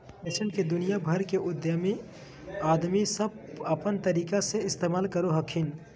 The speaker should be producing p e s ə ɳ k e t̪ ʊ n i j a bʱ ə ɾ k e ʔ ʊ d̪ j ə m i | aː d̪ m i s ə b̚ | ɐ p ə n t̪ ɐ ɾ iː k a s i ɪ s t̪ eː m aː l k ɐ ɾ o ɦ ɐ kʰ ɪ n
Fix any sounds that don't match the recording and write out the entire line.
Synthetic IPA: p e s ə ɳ k e d̪ ʊ n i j a bʱ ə ɾ k e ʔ ʊ d̪ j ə m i | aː d̪ m i s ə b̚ | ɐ p ə n t̪ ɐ ɾ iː k a s e ɪ s t̪ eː m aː l k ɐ ɾ o ɦ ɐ kʰ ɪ n

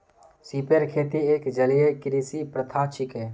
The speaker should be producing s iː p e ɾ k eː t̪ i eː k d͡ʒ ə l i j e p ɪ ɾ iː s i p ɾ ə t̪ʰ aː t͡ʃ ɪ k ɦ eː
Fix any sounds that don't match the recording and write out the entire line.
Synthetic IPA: s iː p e ɾ kʰ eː t̪ i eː k d͡ʒ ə l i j e k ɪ ɾ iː s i p ɾ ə t̪ʰ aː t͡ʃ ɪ k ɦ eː

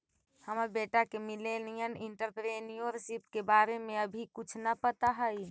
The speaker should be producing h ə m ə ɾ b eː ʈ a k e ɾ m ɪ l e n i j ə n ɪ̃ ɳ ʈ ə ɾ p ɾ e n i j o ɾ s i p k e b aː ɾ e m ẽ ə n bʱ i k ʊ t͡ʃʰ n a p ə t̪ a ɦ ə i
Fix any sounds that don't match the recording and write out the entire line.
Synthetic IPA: h ə m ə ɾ b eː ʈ a k e m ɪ l e n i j ə n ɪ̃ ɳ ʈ ə ɾ p ɾ e n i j o ɾ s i p k e b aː ɾ e m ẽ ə bʱ i k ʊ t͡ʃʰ n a p ə t̪ a ɦ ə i

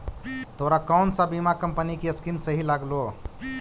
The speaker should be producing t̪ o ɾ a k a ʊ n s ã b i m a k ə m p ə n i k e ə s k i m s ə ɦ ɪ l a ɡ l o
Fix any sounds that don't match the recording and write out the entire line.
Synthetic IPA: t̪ o ɾ a k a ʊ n s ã b i m a k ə m p ə n i k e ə s k i m s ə ɦ i l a ɡ l o

